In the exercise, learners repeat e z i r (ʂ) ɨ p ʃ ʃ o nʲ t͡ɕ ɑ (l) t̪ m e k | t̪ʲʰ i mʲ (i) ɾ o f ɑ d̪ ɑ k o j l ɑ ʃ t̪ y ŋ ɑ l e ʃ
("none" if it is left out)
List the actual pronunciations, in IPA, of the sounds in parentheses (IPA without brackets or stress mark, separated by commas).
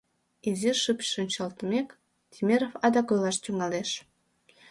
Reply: ʃ, l, e